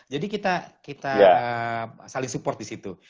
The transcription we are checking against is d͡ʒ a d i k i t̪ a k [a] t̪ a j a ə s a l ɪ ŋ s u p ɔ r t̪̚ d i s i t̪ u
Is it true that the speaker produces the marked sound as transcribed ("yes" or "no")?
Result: no